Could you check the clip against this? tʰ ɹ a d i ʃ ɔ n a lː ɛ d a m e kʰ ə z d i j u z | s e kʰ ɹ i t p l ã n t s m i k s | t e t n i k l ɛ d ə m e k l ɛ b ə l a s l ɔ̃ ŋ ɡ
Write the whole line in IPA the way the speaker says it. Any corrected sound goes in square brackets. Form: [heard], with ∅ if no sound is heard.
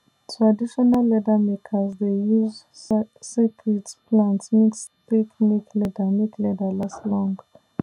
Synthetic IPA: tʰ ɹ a d i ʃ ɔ n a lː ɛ d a m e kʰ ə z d [e] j u z | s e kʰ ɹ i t p l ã n t s m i k s | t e [k] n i k l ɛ d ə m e k l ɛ [d] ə l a s l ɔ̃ ŋ ɡ